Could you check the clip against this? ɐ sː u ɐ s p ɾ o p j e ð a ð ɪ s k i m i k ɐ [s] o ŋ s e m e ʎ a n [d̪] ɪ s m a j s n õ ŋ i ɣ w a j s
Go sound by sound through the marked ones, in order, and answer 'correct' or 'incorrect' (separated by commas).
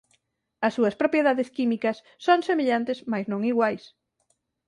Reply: incorrect, incorrect